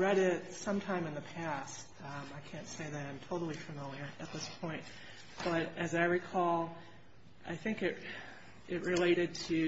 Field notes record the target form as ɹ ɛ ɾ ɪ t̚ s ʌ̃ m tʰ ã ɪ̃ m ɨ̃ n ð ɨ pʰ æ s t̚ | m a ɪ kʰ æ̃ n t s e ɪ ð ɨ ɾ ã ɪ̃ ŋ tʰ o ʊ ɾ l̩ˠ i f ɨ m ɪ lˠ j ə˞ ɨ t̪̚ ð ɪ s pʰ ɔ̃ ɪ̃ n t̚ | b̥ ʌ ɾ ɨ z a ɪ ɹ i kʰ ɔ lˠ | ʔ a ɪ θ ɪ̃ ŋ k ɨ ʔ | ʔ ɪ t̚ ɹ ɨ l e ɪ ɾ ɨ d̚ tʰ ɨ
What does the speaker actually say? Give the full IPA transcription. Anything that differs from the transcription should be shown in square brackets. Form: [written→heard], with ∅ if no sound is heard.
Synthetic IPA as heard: ɹ ɛ ɾ ɪ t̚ s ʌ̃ m tʰ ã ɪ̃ m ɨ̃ n ð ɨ pʰ æ s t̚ | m a ɪ kʰ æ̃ n t s e ɪ ð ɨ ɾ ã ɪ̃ [ŋ→m] tʰ o ʊ ɾ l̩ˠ i f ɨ m ɪ lˠ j ə˞ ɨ t̪̚ ð ɪ s pʰ ɔ̃ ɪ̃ n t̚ | b̥ ʌ ɾ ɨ z a ɪ ɹ i kʰ ɔ lˠ | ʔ a ɪ θ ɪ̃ ŋ k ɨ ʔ | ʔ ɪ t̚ ɹ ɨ l e ɪ ɾ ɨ d̚ tʰ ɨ